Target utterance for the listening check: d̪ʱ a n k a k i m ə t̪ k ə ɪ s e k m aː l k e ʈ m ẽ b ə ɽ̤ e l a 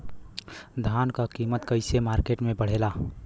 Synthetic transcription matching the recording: d̪ʱ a n k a k i m ə t̪ k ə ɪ s e m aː ɾ k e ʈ m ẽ b ə ɽ̤ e l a